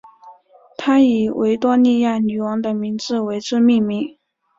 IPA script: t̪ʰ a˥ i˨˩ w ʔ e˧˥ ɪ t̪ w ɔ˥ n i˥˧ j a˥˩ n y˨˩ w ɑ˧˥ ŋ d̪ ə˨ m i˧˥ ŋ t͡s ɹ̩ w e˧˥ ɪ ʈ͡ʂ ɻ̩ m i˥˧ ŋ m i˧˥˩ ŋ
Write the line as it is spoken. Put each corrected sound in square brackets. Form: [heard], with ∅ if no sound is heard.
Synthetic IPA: t̪ʰ a˥ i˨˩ w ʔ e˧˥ ɪ t̪ w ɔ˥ n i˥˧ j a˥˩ n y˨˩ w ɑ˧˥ ŋ d̪ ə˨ m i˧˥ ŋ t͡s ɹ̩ w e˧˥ ɪ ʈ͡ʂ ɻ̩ m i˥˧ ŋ m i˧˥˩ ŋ